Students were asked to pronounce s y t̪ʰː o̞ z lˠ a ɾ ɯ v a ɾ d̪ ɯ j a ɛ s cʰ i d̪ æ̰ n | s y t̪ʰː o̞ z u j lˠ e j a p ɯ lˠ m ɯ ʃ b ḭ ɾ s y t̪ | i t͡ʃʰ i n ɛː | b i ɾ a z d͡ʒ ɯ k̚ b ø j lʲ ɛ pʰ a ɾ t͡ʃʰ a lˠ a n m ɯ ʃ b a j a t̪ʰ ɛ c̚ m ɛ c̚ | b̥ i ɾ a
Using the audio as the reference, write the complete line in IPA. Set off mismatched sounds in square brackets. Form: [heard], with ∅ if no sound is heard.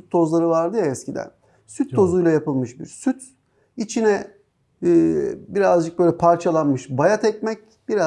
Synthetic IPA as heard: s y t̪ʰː o̞ z lˠ a ɾ ɯ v a ɾ d̪ ɯ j a ɛ s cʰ i d̪ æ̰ n | s y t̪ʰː o̞ z u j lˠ [a] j a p ɯ lˠ m ɯ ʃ b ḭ ɾ s y t̪ | i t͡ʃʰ i n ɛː | b i ɾ a z d͡ʒ ɯ k̚ b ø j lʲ ɛ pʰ a ɾ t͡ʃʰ a lˠ a n m ɯ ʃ b a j a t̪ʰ ɛ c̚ m ɛ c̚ | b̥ i ɾ a